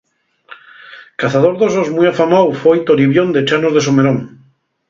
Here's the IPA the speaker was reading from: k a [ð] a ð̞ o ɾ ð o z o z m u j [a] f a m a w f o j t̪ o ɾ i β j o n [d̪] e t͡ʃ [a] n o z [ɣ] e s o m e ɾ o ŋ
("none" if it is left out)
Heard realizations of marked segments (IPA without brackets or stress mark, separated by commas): θ, a, d̪, a, ð